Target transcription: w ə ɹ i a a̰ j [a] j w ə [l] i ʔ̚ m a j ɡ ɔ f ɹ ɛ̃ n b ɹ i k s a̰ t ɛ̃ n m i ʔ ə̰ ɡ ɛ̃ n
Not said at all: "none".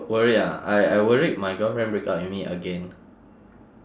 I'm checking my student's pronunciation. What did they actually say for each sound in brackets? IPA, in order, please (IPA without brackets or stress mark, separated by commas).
a, ɹ